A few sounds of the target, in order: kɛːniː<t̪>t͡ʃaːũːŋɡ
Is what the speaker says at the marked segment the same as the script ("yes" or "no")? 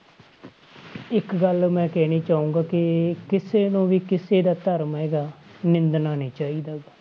no